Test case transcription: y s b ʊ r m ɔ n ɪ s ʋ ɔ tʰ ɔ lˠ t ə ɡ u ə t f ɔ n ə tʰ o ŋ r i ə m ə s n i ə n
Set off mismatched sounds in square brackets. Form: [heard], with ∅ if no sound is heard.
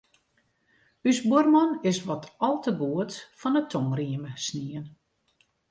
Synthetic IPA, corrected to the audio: y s b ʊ r m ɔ n ɪ s ʋ ɔ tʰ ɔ lˠ t ə ɡ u ə t f ɔ n ə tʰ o ŋ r i ə m ə s n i ə n